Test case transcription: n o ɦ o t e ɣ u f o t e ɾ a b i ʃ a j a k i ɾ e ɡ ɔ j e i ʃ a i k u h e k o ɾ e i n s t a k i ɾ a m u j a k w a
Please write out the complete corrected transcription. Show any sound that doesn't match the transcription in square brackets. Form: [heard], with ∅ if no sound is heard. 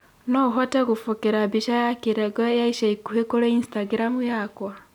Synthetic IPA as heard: n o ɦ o t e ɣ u f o [k] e ɾ a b i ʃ a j a k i ɾ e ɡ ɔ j [a] i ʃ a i k u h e k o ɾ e i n s t a [ɡ] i ɾ a m u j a k w a